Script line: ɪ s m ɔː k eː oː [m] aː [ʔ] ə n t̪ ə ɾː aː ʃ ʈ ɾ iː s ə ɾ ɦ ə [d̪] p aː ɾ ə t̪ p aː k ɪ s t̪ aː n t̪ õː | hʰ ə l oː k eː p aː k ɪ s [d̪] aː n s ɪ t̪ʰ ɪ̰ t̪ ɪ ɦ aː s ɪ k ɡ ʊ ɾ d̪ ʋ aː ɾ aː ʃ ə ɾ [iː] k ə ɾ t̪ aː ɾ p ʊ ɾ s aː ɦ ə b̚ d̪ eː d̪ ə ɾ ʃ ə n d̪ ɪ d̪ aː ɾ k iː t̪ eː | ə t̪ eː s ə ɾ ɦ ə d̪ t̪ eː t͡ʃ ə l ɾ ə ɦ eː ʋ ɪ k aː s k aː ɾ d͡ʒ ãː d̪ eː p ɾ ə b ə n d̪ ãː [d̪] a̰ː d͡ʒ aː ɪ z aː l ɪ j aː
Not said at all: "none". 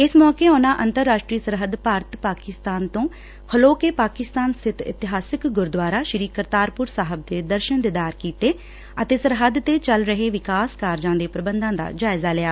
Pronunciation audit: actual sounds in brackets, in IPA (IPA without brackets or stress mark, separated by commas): n, ʔ, d̪, t̪, iː, d̪